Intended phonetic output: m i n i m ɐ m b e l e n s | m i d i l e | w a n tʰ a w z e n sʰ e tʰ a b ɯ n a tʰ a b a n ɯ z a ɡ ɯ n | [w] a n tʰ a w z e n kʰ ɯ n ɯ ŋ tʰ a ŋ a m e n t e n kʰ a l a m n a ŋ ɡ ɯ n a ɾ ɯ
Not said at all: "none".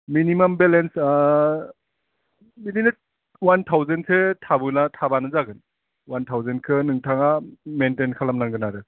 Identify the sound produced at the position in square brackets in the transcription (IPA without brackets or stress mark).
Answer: w